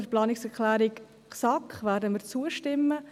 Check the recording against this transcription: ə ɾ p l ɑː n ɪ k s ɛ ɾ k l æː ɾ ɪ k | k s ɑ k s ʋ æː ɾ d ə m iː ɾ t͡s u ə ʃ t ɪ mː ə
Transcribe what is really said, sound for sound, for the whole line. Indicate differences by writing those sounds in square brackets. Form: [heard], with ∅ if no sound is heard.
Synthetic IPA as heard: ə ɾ p l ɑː n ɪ k s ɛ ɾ k l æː ɾ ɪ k | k s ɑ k [χ] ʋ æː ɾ d ə m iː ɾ t͡s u ə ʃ t ɪ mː ə